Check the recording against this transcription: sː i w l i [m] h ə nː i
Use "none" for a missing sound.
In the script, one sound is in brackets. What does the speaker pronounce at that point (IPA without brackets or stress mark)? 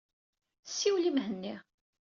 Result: m